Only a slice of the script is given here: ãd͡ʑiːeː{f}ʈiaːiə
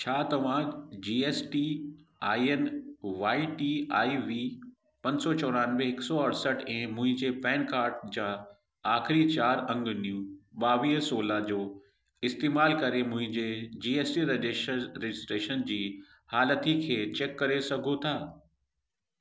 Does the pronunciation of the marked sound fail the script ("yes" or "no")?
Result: yes